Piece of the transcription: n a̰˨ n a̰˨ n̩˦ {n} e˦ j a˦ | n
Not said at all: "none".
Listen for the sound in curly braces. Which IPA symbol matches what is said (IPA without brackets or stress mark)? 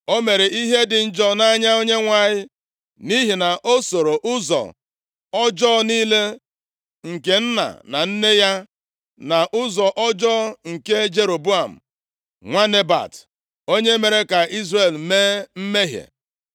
n